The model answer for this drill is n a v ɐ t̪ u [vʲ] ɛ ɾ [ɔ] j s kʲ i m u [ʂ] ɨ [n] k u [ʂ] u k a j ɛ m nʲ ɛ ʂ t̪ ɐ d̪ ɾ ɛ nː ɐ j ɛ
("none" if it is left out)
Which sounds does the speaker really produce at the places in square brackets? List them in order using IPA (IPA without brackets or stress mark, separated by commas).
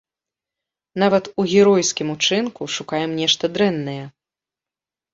ɣʲ, ɔ, t͡ʂ, n, ʂ